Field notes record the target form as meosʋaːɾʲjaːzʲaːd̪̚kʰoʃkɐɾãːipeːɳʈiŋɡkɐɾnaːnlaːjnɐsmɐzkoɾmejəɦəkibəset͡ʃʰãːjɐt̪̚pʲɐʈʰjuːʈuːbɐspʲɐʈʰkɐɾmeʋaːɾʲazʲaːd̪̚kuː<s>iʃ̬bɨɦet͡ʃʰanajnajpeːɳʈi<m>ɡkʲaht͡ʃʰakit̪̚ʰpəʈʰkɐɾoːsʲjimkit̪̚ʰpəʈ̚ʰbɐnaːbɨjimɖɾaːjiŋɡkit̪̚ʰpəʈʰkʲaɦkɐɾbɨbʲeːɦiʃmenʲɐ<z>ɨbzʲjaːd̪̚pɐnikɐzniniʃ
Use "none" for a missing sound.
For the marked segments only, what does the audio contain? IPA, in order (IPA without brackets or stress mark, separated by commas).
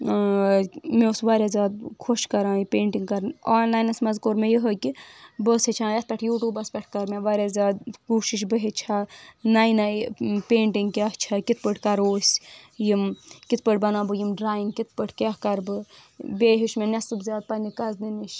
ʃ, ŋ, s